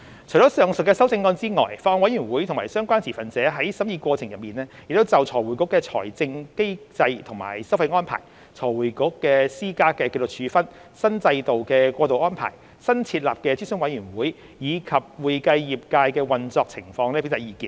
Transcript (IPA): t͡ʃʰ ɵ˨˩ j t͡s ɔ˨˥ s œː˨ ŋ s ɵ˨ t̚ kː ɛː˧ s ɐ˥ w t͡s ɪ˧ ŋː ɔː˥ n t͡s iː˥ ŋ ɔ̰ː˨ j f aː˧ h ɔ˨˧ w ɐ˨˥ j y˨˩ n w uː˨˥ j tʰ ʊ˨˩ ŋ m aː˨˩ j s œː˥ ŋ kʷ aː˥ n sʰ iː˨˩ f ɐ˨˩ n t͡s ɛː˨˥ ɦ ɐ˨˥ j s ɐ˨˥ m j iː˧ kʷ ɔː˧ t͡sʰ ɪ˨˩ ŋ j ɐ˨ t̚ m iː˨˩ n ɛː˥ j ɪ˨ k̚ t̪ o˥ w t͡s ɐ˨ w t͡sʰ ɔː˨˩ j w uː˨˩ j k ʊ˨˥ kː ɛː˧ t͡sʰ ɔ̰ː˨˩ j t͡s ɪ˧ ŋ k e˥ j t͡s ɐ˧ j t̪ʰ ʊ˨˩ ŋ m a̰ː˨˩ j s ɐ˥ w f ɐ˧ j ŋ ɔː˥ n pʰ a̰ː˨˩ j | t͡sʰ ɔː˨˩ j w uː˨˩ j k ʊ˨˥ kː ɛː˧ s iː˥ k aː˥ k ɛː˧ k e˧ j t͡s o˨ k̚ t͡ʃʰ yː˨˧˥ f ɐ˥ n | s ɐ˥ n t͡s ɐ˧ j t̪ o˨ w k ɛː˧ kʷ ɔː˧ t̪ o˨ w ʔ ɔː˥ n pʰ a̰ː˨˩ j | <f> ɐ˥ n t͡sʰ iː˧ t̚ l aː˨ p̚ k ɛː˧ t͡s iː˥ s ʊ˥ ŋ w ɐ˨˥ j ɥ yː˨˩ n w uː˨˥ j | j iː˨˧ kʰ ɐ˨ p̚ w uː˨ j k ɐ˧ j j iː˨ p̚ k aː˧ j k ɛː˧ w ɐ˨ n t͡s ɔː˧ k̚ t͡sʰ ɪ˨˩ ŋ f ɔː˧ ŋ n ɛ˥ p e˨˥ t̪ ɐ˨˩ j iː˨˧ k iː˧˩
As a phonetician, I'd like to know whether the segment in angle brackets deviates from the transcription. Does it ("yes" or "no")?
yes